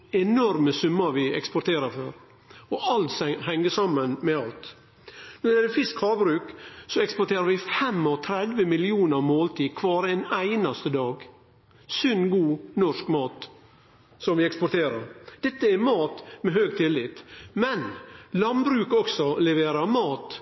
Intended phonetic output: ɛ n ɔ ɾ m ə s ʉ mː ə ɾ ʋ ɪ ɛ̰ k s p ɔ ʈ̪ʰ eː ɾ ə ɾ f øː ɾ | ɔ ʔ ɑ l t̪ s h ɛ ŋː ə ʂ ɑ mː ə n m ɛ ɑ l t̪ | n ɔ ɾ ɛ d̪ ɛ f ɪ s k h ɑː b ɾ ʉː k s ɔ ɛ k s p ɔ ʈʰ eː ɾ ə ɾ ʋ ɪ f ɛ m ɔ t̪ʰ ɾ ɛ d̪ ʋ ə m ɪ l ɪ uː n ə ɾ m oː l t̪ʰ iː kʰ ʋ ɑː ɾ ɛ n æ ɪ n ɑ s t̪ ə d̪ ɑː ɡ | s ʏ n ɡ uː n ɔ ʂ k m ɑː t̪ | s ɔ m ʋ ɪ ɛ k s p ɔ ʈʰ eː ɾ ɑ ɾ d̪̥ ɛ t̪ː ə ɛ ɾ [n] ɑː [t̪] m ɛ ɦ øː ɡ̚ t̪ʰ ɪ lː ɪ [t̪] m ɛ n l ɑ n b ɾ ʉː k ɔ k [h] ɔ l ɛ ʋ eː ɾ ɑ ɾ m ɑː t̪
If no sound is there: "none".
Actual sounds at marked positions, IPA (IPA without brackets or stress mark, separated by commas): m, t̪, t̪, s